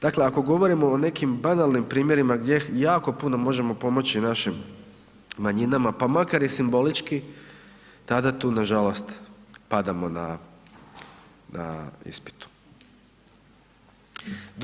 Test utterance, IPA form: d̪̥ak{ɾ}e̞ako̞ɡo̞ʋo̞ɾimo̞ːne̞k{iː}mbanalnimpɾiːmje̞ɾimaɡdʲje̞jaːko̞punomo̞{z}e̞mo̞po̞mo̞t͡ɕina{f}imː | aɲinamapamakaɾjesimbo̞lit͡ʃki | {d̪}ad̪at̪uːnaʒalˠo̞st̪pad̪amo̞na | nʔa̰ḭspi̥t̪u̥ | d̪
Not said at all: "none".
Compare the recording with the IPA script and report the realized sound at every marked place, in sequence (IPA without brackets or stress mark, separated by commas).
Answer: l, i, ʒ, ʃ, t̪